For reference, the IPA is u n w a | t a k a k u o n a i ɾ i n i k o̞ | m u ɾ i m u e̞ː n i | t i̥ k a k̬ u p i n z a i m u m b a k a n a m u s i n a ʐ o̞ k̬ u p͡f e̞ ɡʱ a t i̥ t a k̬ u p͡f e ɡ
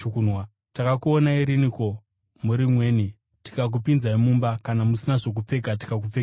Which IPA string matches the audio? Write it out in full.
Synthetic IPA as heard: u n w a | t a k a k u o n a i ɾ i n i k o̞ | m u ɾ i m w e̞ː n i | t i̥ k a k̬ u p i n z a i m u m b a k a n a m u s i n a ʐ o̞ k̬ u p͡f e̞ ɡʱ a t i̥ k a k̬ u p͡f e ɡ